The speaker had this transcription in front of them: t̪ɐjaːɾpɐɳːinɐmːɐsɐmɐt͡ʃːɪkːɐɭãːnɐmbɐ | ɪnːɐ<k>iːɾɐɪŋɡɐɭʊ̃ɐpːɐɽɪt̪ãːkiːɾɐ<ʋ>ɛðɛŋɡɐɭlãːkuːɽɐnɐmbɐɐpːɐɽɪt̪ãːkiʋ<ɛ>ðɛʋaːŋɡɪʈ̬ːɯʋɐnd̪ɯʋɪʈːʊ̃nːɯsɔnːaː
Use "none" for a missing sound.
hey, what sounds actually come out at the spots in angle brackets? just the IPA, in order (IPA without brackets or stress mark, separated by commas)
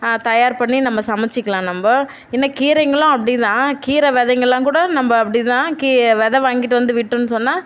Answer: k, ʋ, ɛ